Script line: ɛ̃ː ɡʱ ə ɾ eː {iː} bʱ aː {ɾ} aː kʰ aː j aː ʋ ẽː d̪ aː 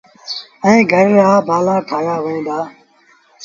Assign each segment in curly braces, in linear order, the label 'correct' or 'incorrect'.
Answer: incorrect: aː, incorrect: l

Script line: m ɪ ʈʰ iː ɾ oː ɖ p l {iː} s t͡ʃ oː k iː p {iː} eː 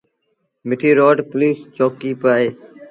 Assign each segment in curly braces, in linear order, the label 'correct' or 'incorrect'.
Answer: correct, incorrect: aː

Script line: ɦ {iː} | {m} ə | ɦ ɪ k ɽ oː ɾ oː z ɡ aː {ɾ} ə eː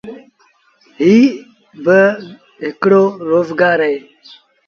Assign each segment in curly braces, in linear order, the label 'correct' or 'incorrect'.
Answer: correct, incorrect: b, correct

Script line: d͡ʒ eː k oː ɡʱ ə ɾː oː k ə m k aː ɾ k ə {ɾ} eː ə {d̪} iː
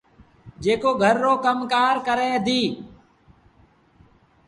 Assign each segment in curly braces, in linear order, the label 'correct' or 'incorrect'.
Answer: correct, correct

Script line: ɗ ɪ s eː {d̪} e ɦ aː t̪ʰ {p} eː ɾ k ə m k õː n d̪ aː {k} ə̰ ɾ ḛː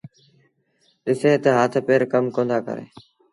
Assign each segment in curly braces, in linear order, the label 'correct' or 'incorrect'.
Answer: incorrect: t̪, correct, correct

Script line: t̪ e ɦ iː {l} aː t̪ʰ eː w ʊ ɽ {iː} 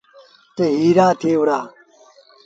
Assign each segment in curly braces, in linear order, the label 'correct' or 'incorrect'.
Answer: incorrect: ɾ, incorrect: aː

